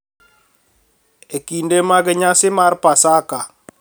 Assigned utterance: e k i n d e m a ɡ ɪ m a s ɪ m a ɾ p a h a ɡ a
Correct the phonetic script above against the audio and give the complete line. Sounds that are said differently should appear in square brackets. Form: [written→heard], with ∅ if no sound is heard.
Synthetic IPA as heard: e k i n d e m a ɡ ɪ [m→ɲ] a s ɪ m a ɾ p a [h→s] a [ɡ→k] a